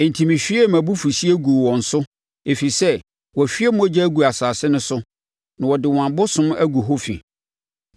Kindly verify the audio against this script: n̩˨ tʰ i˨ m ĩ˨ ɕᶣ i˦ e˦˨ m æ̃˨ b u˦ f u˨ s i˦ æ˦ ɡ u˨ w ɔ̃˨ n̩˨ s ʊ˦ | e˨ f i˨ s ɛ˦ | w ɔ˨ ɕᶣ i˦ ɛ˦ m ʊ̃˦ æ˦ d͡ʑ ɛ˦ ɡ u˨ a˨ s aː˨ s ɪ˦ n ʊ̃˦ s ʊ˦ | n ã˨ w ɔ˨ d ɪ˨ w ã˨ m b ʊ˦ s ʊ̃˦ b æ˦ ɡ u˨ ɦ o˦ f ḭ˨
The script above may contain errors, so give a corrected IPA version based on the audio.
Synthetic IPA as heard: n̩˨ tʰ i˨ m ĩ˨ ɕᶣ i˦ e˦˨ m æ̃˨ b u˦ f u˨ s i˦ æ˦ ɡ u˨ w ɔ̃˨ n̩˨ s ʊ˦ | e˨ f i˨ s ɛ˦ | w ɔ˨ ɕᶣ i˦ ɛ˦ m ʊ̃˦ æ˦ d͡ʑ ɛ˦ ɡ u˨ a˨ s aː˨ s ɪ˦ n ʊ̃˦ s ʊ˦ | n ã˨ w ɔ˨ d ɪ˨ w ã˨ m b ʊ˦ s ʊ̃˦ m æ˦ ɡ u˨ ɦ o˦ f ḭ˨